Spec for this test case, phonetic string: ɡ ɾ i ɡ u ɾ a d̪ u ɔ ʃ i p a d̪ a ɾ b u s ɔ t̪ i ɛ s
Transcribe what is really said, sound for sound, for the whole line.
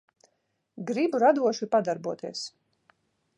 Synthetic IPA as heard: ɡ ɾ i b u ɾ a d̪ u ɔ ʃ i p a d̪ a ɾ b u ɔ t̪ i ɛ s